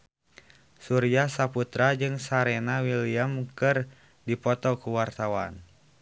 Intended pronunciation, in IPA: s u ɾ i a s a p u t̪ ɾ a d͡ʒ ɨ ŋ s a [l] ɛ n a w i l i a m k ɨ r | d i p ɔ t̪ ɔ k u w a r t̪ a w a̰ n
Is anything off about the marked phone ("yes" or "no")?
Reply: yes